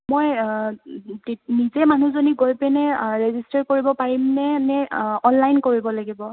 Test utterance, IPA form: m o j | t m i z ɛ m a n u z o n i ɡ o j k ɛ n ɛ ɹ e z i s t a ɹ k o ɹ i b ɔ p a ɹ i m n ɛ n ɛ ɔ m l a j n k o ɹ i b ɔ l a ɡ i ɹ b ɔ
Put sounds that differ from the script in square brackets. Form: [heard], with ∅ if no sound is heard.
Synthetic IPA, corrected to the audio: m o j | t [n] i z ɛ m a n u z o n i ɡ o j [p] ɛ n ɛ ɹ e z i s t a ɹ k o ɹ i b ɔ p a ɹ i m n ɛ n ɛ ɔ [n] l a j n k o ɹ i b ɔ l a ɡ i [∅] b ɔ